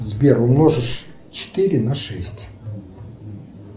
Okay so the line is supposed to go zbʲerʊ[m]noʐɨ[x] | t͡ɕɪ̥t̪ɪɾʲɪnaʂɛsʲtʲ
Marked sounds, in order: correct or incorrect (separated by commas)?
correct, incorrect